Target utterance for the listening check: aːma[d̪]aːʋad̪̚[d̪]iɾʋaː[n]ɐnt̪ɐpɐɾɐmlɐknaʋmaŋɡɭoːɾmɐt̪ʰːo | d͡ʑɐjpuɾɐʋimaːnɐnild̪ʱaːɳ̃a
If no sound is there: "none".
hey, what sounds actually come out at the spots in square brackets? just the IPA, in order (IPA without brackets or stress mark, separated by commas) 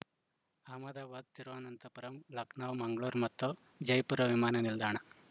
d̪, t̪, n